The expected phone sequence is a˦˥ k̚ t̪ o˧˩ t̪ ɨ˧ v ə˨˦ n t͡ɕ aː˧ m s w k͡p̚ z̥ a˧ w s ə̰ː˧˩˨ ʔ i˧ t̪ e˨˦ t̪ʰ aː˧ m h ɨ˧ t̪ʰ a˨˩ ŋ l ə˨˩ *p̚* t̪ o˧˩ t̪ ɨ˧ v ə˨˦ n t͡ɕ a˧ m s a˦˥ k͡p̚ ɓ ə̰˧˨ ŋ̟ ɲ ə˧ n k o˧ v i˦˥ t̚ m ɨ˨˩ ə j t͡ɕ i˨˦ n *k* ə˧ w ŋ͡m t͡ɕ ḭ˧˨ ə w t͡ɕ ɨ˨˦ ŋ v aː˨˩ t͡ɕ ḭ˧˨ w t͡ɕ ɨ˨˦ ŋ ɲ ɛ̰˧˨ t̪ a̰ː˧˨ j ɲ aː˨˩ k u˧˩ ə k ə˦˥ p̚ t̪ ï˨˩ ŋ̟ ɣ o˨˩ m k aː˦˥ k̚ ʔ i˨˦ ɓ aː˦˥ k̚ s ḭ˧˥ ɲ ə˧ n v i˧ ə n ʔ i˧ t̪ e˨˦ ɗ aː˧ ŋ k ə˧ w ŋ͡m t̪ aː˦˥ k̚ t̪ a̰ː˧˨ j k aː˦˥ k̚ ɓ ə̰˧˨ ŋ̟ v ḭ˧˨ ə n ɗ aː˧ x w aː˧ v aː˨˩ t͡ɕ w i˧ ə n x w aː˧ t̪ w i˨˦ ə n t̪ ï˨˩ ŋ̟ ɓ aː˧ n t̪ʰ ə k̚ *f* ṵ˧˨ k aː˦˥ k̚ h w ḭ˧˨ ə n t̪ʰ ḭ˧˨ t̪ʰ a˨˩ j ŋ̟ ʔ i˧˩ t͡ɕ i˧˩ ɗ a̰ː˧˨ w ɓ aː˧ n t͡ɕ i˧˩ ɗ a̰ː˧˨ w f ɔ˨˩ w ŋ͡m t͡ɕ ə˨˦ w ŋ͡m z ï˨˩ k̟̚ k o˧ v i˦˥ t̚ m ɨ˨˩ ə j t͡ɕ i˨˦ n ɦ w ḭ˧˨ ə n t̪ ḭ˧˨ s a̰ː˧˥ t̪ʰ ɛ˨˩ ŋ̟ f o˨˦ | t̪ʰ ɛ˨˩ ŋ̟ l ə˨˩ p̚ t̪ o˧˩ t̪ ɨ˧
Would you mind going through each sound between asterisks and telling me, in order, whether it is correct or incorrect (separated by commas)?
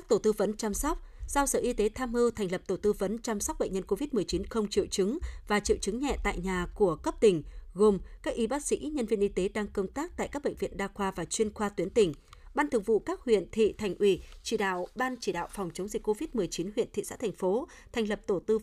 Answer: correct, incorrect, incorrect